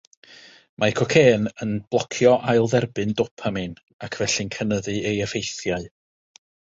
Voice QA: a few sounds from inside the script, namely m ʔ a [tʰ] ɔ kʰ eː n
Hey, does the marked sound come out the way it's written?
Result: no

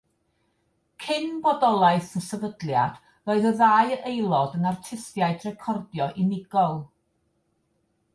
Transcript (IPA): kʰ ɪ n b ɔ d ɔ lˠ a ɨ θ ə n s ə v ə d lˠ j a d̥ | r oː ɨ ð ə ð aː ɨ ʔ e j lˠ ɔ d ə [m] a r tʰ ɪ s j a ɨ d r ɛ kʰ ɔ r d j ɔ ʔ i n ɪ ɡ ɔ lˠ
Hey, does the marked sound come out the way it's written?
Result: no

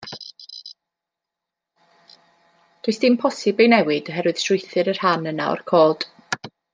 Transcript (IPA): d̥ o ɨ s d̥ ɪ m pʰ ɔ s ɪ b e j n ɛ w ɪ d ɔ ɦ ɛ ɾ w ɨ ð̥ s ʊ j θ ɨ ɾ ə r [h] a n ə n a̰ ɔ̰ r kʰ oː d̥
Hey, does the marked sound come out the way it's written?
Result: yes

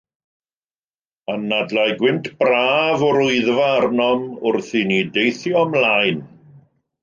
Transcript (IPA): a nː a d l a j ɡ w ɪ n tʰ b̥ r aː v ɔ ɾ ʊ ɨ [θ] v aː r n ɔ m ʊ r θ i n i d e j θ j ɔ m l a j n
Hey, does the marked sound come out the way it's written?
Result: no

